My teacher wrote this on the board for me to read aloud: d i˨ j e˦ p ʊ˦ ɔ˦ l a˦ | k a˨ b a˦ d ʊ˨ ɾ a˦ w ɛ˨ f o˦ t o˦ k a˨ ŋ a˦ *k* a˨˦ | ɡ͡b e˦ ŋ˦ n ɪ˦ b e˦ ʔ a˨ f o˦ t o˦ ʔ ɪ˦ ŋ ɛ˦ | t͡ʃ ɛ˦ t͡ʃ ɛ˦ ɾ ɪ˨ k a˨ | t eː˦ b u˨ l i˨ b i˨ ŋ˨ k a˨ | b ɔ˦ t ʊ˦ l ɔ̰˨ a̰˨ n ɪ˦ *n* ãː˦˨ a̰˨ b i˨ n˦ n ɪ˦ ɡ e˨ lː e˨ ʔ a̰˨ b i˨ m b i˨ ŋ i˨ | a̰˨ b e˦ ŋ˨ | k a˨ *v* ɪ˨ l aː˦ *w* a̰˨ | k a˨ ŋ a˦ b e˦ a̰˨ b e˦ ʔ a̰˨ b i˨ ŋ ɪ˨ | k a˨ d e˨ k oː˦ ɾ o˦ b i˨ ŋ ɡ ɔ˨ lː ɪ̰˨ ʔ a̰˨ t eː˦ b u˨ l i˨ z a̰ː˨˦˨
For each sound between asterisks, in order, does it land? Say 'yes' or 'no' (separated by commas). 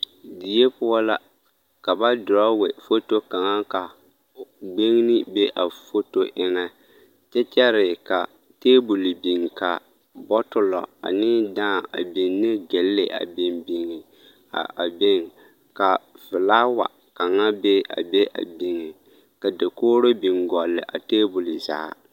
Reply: yes, no, yes, yes